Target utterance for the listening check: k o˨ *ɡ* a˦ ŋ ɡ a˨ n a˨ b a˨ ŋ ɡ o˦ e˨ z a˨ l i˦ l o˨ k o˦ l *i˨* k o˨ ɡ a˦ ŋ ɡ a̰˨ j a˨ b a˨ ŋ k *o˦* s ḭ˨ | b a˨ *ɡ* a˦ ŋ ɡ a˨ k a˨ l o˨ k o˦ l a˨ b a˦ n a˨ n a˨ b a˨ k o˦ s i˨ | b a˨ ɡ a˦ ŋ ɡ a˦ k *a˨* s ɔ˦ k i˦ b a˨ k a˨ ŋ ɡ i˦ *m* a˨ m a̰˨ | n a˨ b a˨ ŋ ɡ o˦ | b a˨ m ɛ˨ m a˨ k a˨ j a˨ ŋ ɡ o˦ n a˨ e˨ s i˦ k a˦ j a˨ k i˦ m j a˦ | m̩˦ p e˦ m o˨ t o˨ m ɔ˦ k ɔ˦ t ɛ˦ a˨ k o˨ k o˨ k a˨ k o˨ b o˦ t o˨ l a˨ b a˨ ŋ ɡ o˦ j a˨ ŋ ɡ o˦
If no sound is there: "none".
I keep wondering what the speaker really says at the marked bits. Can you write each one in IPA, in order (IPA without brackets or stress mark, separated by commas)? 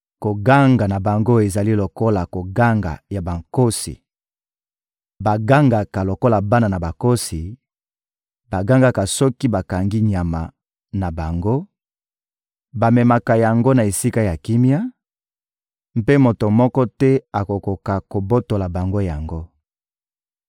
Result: ɡ, a˨, o˦, ɡ, a˨, ɲ